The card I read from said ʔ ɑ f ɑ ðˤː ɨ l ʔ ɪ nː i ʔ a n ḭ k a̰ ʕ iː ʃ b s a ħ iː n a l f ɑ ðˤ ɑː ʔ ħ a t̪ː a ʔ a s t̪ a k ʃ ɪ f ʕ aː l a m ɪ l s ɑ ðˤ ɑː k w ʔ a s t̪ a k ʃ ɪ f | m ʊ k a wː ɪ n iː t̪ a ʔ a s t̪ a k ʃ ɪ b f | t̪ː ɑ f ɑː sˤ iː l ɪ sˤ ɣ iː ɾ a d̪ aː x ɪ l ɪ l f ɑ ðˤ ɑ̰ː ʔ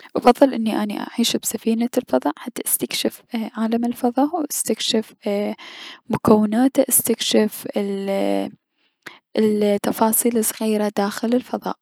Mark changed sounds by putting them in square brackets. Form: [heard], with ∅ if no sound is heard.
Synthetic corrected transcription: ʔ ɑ f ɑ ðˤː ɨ l ʔ ɪ nː i ʔ a n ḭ [ʔ] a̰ ʕ iː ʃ b s a [f] iː n a l f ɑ ðˤ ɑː ʔ ħ a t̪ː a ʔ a s t̪ a k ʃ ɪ f ʕ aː l a m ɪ l [f] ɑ ðˤ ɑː [ʔ] w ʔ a s t̪ a k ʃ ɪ f | m ʊ k a wː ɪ n [aː] t̪ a ʔ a s t̪ a k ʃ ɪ [∅] f | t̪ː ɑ f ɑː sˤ iː l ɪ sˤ ɣ iː ɾ a d̪ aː x ɪ l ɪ l f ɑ ðˤ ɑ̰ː ʔ